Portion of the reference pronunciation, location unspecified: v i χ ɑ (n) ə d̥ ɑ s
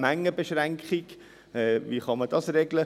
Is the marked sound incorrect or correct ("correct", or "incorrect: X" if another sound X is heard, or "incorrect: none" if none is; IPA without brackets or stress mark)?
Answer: incorrect: m